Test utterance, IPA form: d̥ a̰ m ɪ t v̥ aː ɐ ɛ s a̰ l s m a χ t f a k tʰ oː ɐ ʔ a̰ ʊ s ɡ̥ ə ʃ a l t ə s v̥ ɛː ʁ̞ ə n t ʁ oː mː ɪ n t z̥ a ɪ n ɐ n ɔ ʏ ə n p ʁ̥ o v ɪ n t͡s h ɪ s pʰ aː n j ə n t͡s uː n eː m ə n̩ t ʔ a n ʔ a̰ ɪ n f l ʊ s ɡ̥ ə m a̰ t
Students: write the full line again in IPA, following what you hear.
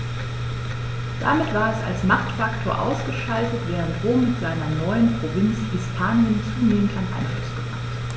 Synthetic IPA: d̥ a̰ m ɪ t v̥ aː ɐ ɛ s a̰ l s m a χ t f a k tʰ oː ɐ ʔ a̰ ʊ s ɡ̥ ə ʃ a l t ə t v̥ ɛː ʁ̞ ə n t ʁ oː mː ɪ t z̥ a ɪ n ɐ n ɔ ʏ ə n p ʁ̥ o v ɪ n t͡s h ɪ s pʰ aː n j ə n t͡s uː n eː m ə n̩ t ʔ a n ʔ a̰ ɪ n f l ʊ s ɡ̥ ə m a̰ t

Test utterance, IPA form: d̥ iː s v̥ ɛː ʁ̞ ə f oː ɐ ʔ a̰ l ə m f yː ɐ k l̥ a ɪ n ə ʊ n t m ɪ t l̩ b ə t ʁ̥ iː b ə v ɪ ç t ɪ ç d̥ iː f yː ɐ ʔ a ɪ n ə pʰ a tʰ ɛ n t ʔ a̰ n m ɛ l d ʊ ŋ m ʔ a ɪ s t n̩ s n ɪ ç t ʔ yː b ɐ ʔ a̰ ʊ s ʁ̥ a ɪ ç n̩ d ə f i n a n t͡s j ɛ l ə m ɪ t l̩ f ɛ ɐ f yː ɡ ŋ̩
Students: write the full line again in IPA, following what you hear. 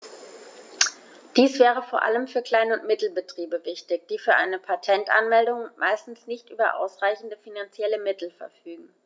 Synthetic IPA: d̥ iː s v̥ ɛː ʁ̞ ə f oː ɐ ʔ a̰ l ə m f yː ɐ k l̥ a ɪ n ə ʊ n t m ɪ t l̩ b ə t ʁ̥ iː b ə v ɪ ç t ɪ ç d̥ iː f yː ɐ ʔ a ɪ n ə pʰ a tʰ ɛ n t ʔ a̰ n m ɛ l d ʊ ŋ m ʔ a ɪ s t n̩ s n ɪ ç t ʔ yː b ɐ ʔ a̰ ʊ s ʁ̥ a ɪ ç n̩ d ə f i n a n t͡s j ɛ l ə m ɪ t l̩ f ɛ ɐ f yː ɡ ŋ̩

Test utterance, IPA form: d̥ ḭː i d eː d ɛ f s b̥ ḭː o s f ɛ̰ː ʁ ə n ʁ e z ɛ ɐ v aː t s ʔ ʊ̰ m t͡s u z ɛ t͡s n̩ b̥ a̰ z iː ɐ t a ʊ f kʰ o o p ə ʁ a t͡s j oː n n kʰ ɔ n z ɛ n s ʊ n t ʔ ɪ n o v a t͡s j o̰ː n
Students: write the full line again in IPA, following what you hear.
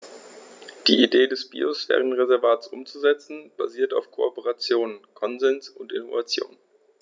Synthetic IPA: d̥ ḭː i d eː d ɛ s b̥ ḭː o s f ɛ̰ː ʁ ə n ʁ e z ɛ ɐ v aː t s ʔ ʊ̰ m t͡s u z ɛ t͡s n̩ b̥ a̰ z iː ɐ t a ʊ f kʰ o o p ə ʁ a t͡s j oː n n kʰ ɔ n z ɛ n s ʊ n t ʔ ɪ n o v a t͡s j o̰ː n

